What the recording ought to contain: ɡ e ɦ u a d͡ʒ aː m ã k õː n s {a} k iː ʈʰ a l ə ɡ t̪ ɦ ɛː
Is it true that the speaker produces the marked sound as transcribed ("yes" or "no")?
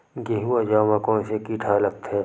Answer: no